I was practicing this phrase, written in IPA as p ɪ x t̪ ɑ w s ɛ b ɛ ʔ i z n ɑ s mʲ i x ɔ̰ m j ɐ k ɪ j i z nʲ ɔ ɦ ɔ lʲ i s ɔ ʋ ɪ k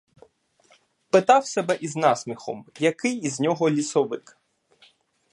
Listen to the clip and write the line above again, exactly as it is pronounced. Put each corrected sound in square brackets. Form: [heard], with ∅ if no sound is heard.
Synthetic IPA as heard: p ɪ [∅] t̪ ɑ w s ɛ b ɛ ʔ i z n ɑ s mʲ i x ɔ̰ m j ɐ k ɪ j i z nʲ ɔ ɦ ɔ lʲ i s ɔ ʋ ɪ k